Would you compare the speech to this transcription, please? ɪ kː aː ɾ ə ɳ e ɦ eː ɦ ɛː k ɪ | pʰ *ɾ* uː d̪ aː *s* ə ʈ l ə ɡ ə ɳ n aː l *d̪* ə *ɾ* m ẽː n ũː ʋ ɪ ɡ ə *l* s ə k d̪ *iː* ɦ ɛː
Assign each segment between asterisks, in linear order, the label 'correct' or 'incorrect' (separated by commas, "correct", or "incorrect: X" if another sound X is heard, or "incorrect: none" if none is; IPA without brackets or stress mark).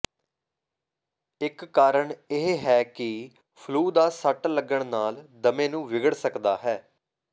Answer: incorrect: l, correct, correct, incorrect: none, incorrect: ɽ, incorrect: aː